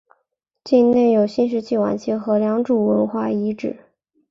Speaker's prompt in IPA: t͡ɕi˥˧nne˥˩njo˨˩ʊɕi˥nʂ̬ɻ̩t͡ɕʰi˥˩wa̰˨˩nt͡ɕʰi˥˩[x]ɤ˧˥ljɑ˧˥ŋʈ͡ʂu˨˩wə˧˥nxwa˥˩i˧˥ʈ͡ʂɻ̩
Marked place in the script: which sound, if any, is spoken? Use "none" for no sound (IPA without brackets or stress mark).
x